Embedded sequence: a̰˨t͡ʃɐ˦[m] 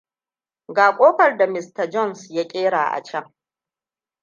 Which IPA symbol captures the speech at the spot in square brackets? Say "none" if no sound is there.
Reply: ŋ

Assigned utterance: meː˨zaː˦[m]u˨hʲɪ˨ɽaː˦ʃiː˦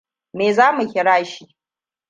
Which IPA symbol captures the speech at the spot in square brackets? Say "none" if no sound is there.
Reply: m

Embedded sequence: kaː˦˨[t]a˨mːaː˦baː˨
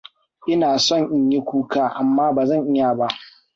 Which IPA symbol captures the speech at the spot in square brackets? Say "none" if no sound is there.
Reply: ʔ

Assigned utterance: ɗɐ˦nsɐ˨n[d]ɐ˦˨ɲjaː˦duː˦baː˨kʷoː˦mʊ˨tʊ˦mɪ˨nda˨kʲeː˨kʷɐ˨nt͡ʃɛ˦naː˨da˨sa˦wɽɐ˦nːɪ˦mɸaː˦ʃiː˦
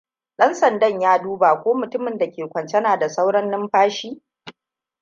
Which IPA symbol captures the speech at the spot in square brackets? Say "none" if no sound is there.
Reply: d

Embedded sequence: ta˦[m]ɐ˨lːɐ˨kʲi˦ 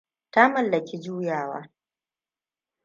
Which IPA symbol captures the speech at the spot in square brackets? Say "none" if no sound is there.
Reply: m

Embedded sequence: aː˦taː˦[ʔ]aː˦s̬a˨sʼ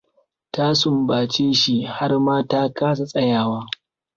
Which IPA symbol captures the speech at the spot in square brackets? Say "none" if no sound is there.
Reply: k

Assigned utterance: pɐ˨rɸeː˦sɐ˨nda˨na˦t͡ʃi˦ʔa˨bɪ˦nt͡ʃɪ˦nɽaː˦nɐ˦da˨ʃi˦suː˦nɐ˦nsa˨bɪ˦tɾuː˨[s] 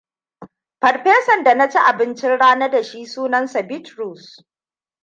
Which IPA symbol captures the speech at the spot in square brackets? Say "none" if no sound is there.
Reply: s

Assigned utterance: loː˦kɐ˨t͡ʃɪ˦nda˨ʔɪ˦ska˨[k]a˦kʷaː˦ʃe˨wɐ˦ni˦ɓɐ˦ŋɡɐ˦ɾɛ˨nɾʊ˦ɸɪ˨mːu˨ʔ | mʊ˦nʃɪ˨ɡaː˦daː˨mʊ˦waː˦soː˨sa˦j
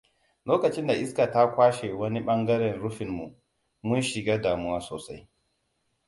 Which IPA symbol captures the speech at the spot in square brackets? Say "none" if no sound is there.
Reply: t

